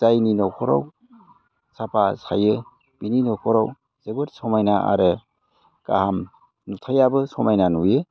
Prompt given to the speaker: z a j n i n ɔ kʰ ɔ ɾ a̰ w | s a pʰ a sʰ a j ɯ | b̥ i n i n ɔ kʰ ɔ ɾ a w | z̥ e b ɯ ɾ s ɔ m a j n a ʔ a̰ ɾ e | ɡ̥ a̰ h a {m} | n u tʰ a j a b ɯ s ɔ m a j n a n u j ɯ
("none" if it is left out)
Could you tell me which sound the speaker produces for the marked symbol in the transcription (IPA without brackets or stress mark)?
m